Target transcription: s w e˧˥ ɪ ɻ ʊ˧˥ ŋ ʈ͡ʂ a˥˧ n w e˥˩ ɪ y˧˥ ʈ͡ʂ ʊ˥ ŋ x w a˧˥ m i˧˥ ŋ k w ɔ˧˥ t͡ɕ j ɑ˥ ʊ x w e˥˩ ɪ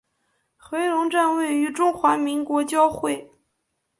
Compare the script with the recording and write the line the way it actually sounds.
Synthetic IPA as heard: x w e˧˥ ɪ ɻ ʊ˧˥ ŋ ʈ͡ʂ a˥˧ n w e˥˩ ɪ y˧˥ ʈ͡ʂ ʊ˥ ŋ x w a˧˥ m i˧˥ ŋ k w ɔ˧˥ t͡ɕ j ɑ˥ ʊ x w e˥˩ ɪ